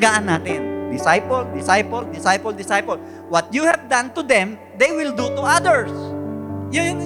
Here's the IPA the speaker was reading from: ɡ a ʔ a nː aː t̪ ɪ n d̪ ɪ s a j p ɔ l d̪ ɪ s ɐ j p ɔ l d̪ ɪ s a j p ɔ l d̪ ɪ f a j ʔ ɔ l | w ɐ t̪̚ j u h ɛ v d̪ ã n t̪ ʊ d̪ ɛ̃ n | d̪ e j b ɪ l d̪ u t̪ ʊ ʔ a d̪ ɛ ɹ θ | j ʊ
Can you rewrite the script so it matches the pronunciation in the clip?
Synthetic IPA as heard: ɡ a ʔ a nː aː t̪ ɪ n d̪ ɪ s a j p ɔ l d̪ ɪ s a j p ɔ l d̪ ɪ s a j p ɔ l d̪ ɪ s a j p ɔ l | w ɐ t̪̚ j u h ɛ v d̪ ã n t̪ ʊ d̪ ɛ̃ m | d̪ e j w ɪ l d̪ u t̪ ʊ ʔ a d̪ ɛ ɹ s | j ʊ